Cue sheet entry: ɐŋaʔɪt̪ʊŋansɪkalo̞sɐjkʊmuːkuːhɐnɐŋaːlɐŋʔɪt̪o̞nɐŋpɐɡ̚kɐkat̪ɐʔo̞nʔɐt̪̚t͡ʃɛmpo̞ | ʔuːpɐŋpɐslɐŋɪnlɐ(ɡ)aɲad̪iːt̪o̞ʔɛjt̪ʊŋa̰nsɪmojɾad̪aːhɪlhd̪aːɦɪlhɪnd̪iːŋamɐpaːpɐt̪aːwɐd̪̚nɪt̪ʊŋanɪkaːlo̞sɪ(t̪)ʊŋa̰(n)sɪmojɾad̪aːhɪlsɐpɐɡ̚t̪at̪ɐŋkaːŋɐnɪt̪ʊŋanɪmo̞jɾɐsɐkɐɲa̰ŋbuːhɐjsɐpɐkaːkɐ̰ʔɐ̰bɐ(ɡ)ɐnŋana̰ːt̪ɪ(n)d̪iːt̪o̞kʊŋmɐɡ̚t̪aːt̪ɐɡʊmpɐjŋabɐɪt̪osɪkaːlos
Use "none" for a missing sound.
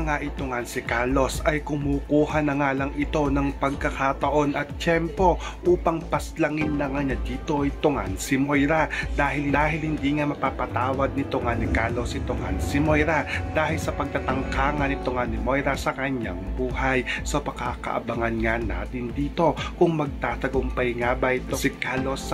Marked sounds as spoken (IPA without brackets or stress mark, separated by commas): ŋ, t̪, n, ŋ, n